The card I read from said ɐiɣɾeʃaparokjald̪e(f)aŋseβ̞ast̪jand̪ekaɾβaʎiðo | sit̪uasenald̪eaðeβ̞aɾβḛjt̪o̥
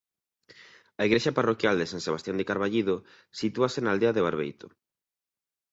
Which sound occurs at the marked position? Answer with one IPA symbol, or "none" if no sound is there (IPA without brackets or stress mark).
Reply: s